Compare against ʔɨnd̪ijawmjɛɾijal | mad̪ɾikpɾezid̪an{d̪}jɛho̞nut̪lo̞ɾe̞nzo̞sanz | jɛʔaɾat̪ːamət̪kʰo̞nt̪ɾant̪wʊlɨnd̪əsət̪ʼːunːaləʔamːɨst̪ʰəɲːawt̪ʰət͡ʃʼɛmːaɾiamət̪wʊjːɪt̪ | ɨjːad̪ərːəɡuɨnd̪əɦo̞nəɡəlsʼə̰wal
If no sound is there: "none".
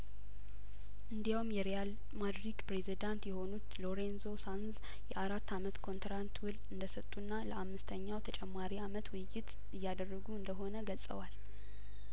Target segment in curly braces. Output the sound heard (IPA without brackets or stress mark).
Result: t̪